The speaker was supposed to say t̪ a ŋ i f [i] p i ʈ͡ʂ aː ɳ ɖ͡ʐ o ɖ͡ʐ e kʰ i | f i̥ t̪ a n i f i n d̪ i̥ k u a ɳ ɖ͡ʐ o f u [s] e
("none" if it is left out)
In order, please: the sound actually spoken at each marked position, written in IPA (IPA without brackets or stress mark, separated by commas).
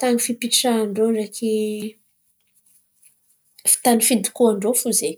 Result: i, z